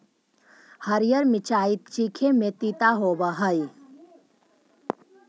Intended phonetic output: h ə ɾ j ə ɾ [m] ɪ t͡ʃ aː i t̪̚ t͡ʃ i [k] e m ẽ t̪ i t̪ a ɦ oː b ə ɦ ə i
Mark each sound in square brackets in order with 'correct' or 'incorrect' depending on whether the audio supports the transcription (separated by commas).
correct, incorrect